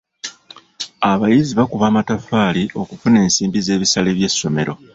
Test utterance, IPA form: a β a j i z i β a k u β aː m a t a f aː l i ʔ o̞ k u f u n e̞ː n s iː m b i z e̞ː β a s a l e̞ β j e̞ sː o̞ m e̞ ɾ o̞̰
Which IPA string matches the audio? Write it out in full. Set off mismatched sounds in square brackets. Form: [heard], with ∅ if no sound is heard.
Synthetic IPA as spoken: a β a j i z i β a k u β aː m a t a f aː l i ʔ o̞ k u f u n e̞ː n s iː m b i z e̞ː β [i] s a l e̞ β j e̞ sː o̞ m e̞ ɾ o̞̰